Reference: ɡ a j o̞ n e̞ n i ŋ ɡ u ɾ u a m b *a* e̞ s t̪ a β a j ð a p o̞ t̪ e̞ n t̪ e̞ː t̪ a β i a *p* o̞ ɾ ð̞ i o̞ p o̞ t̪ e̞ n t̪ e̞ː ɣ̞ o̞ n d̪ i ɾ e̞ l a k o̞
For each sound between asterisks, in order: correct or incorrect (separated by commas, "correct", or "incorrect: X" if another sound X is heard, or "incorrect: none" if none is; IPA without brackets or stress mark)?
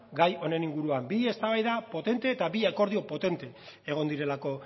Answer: incorrect: i, incorrect: k